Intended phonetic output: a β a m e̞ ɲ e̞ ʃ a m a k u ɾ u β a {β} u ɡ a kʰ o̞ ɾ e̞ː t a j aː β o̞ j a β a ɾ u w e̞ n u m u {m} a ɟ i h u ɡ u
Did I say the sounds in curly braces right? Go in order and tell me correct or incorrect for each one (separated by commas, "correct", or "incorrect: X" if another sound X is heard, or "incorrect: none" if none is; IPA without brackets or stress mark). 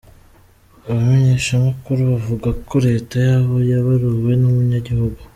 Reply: incorrect: v, incorrect: ɲ